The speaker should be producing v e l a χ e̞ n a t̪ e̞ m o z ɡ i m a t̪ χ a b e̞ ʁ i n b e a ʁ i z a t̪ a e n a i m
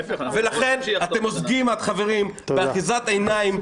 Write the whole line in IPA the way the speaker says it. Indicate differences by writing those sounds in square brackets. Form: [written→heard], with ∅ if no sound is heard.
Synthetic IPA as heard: v e l a χ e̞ n a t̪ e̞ m o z ɡ i m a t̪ χ a [b→v] e̞ ʁ i [n→m] b e a [ʁ→χ] i z a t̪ a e n a i m